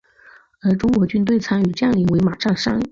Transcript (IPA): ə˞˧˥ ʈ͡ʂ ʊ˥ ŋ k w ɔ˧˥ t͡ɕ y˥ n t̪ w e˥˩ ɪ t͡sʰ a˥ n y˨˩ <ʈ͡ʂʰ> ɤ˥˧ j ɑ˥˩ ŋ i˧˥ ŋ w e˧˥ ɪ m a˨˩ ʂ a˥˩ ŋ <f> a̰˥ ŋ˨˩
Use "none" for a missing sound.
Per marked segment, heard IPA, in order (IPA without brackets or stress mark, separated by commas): ʈ͡ʂ, ʂ